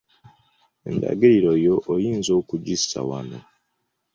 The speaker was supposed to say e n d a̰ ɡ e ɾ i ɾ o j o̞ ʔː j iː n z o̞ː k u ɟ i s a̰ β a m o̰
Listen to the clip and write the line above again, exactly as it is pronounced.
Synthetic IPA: e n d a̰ ɡ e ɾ i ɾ o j o̞ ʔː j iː n z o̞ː k u ɟ i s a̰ w a n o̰

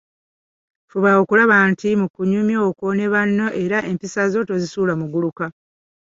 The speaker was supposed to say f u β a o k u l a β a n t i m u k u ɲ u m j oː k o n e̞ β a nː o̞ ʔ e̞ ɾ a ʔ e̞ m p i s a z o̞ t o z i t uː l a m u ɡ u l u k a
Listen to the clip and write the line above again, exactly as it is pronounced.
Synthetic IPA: f u β a o k u l a β a n t i m u k u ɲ u m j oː k o n e̞ β a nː o̞ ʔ e̞ ɾ a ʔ e̞ m p i s a z o̞ t o z i s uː l a m u ɡ u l u k a

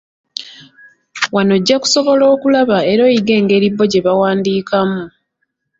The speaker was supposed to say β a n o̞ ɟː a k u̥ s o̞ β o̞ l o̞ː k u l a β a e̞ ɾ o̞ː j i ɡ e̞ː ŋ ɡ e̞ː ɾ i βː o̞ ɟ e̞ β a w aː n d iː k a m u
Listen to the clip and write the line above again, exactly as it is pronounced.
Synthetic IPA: w a n o̞ ɟː a k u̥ s o̞ β o̞ l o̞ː k u l a β a e̞ ɾ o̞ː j i ɡ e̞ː ŋ ɡ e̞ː ɾ i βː o̞ ɟ e̞ β a w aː n d iː k a m u

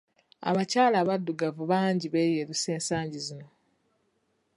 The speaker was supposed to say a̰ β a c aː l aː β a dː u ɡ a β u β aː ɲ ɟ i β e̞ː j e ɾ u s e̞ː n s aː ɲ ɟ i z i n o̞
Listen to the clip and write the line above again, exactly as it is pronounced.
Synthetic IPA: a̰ β a c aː l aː β a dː u ɡ a v u β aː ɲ ɟ i β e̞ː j e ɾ u s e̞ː n s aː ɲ ɟ i z i n o̞

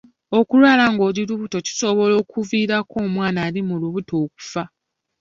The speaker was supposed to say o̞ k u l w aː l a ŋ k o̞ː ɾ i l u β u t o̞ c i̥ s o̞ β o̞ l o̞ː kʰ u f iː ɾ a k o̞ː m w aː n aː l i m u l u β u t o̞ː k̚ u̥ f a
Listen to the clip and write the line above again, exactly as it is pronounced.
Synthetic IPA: o̞ k u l w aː l a ŋ ɡ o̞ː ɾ i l u β u t o̞ c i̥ s o̞ β o̞ l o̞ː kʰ u v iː ɾ a k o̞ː m w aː n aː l i m u l u β u t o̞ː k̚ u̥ f a

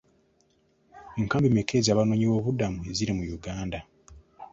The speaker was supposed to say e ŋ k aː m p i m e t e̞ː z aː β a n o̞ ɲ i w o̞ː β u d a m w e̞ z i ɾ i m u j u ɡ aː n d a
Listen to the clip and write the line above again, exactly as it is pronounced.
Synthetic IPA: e ŋ k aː m b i m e k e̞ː z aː β a n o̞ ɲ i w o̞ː β u d a m u e̞ z i ɾ i m u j u ɡ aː n d a

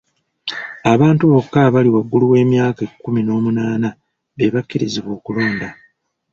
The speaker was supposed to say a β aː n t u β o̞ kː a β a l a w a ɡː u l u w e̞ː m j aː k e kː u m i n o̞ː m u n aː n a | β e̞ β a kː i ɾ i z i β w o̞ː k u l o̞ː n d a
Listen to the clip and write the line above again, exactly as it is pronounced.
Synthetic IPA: a β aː n t u β o̞ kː a β a l i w a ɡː u l u w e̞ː m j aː k e kː u m i n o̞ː m u n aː n a | β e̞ β a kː i ɾ i z i β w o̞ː k u l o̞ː n d a

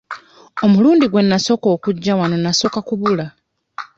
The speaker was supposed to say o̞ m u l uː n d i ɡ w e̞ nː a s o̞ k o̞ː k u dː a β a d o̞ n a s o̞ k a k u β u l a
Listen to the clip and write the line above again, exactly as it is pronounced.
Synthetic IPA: o̞ m u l uː n d i ɡ w e̞ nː a s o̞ k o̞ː k u ɟː a w a n o̞ n a s o̞ k a k u β u l a

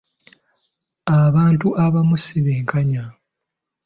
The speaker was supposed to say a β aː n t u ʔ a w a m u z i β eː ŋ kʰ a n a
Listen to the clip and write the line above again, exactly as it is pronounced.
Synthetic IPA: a β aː n t u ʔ a β a m u s i β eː ŋ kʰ a ɲ a

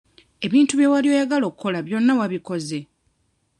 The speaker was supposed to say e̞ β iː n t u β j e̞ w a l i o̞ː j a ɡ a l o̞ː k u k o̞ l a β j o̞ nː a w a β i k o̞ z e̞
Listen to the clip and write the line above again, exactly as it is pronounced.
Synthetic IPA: e̞ β iː n t u β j e̞ w a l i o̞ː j a ɡ a l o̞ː k u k o̞ l a β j o̞ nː a w a β i k o̞ z e̞

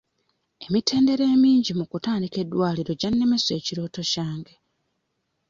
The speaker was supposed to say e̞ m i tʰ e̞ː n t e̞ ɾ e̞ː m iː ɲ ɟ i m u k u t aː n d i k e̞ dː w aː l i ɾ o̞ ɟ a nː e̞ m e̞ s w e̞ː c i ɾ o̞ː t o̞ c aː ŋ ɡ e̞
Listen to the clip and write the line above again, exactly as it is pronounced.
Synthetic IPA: e̞ m i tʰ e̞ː n d e̞ ɾ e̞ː m iː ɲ ɟ i m u k u t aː n d i k e̞ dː w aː l i ɾ o̞ ɟ a nː e̞ m e̞ s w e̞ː c i ɾ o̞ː t o̞ c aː ŋ ɡ e̞

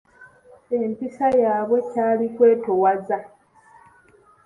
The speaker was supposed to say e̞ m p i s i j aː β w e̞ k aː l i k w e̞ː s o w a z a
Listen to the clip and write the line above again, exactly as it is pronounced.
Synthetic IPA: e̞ m p i s a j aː β w e̞ c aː l i k w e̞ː t o w a z a

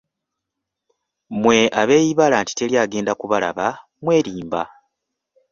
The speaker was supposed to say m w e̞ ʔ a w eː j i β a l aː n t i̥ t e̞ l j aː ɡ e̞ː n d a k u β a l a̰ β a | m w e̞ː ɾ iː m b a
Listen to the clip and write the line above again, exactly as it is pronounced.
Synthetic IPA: m w e̞ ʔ a β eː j i β a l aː n t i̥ t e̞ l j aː ɡ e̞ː n d a k u β a l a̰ β a | m w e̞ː ɾ iː m b a

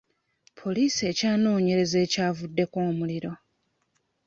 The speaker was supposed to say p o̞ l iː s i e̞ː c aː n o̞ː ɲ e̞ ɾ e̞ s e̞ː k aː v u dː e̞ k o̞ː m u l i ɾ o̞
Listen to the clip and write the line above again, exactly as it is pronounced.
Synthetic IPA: pʰ o̞ l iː s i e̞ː c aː n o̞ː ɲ e̞ ɾ e̞ z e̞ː c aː v u dː e̞ k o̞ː m u l i ɾ o̞

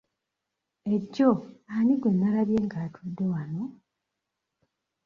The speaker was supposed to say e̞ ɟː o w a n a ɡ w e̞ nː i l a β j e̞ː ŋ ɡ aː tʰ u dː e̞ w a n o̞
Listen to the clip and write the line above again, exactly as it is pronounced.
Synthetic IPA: e̞ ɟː o a n i ɡ w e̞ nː a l a β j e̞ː ŋ ɡ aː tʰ u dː e̞ w a n o̞

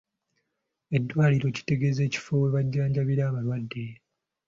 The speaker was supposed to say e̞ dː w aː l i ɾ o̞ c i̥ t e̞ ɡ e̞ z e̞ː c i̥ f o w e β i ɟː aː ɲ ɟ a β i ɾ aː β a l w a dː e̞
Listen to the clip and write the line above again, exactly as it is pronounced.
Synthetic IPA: e̞ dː w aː l i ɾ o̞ c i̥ t e̞ ɡ e̞ z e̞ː c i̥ f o w e β a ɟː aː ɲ ɟ a β i ɾ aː β a l w a dː e̞

